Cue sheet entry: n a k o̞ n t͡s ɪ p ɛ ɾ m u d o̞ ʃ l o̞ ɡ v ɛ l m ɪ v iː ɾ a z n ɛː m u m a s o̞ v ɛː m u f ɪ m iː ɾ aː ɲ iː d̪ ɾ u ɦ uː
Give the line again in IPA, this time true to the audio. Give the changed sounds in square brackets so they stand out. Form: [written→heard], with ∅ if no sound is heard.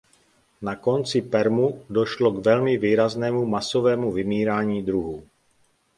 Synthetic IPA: n a k o̞ n t͡s ɪ p ɛ ɾ m u d o̞ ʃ l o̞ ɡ v ɛ l m ɪ v iː ɾ a z n ɛː m u m a s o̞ v ɛː m u [f→v] ɪ m iː ɾ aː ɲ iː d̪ ɾ u ɦ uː